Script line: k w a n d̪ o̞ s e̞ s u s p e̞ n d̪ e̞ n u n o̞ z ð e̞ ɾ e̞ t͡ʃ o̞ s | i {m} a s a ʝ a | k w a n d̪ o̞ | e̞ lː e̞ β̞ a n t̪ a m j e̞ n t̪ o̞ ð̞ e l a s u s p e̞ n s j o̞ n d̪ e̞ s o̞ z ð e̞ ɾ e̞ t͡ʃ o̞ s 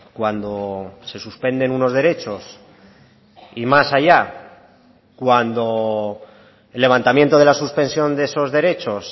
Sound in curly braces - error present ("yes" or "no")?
no